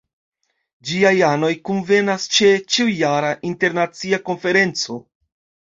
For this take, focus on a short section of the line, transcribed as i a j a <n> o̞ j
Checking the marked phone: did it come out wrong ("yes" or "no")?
no